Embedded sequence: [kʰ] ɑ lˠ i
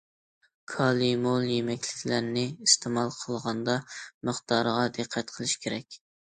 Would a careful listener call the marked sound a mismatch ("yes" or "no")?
no